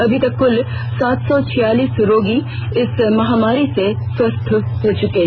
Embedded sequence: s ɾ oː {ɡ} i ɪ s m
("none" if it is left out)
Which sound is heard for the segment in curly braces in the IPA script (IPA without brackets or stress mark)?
ɡ